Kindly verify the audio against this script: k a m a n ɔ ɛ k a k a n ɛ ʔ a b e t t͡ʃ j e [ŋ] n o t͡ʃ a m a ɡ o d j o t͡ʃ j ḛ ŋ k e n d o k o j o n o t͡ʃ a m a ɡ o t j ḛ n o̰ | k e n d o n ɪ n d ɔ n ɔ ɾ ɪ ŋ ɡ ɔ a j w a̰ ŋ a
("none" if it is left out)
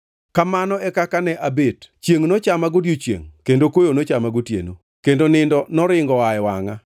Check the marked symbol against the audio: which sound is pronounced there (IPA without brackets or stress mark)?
ŋ